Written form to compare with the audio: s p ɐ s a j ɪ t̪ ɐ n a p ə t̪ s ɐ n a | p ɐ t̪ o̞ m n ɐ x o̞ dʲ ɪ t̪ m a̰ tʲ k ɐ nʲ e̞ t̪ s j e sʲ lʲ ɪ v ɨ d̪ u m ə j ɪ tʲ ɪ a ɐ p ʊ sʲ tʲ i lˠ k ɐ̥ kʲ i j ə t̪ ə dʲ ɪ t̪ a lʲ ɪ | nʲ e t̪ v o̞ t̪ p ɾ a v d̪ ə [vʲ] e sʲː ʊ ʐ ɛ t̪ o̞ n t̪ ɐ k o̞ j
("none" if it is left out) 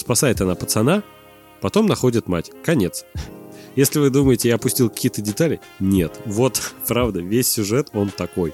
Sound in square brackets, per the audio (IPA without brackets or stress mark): vʲ